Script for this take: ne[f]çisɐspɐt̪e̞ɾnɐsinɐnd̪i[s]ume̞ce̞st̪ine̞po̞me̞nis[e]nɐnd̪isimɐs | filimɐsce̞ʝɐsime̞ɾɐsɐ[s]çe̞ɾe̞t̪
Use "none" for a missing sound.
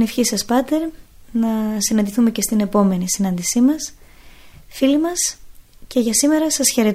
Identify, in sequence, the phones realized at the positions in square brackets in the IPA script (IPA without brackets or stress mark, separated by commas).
f, θ, i, s